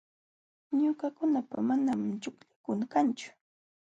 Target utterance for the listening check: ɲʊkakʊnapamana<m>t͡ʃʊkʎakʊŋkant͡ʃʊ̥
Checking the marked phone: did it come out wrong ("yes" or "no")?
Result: no